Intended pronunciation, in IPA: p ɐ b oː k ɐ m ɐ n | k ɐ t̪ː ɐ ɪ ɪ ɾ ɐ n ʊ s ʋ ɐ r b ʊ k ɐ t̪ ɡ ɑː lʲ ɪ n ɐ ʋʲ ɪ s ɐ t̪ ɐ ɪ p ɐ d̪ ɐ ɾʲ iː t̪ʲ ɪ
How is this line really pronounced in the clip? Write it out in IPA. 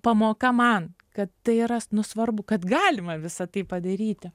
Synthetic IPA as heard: p ɐ m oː k ɐ m ɐ n | k ɐ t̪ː ɐ ɪ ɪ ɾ ɐ n ʊ s ʋ ɐ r b ʊ k ɐ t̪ ɡ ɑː lʲ ɪ m ɐ ʋʲ ɪ s ɐ t̪ ɐ ɪ p ɐ d̪ ɐ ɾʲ iː t̪ʲ ɪ